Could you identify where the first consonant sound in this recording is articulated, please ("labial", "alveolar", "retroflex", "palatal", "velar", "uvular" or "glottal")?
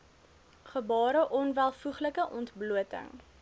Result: uvular